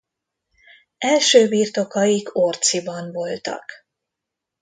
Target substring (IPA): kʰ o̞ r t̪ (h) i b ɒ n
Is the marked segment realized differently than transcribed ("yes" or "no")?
yes